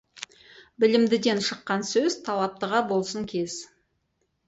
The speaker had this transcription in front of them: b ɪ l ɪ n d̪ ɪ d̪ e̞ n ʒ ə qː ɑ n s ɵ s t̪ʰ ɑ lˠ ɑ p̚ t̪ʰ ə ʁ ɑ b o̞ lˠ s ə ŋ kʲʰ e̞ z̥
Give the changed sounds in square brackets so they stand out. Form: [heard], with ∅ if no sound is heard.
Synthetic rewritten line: b ɪ l ɪ [m] d̪ ɪ d̪ e̞ n [ʃ] ə qː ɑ n s ɵ [z] t̪ʰ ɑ lˠ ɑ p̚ [t̪] ə ʁ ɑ b o̞ lˠ s ə ŋ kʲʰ e̞ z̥